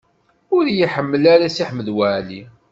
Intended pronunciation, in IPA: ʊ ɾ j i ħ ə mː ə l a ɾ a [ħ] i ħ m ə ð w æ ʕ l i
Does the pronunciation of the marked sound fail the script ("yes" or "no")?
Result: yes